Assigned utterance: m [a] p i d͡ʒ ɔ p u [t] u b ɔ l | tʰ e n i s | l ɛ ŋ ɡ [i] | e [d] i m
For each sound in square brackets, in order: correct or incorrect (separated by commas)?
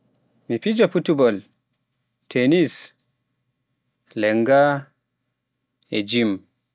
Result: incorrect, correct, incorrect, incorrect